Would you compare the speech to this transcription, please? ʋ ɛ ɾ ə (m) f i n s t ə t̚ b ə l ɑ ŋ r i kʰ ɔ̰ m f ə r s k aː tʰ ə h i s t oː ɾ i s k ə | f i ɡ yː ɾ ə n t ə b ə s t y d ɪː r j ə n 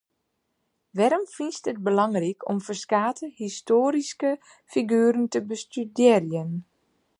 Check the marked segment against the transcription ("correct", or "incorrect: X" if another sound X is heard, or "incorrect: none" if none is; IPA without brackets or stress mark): correct